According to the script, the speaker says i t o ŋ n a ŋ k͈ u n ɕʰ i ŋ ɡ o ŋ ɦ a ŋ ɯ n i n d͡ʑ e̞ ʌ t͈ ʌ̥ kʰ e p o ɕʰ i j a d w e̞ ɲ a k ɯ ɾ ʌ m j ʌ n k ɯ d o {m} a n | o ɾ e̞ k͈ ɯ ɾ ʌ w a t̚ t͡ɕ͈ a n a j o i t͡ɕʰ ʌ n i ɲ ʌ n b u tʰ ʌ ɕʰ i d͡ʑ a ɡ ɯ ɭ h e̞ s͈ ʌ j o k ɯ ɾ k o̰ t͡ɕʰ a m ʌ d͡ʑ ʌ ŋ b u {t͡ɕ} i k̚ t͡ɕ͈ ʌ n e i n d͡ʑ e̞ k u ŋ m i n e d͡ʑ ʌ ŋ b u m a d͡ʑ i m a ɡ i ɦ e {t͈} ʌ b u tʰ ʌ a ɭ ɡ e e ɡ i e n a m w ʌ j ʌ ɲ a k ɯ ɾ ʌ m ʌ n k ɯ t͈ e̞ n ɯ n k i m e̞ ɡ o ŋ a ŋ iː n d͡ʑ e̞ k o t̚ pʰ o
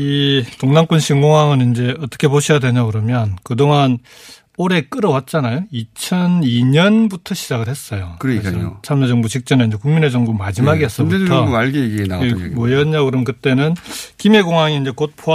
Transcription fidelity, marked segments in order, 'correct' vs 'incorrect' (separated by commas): incorrect, correct, incorrect